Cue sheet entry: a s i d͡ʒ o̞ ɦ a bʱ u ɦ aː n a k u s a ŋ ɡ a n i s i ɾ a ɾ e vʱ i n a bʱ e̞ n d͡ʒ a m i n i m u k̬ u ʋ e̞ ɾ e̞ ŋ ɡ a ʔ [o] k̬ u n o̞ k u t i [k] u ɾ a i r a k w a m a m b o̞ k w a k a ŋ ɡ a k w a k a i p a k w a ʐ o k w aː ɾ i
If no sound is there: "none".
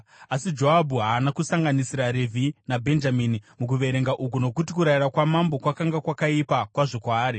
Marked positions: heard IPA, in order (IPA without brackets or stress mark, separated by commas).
u, k